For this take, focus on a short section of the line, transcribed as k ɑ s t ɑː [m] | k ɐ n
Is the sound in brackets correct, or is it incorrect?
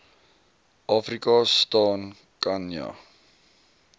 incorrect